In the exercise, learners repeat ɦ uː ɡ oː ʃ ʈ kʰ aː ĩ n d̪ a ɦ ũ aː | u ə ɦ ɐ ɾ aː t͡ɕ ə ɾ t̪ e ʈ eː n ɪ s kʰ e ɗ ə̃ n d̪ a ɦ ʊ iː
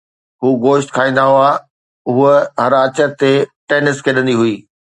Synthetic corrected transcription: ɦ uː ɡ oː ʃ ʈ kʰ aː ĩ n d̪ a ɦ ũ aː | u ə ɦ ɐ ɾ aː t͡ɕ ə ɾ t̪ e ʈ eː n ɪ s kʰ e ɗ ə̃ n d̪ i ɦ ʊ iː